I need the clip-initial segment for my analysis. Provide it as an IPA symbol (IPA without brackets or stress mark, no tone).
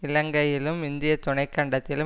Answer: ɪ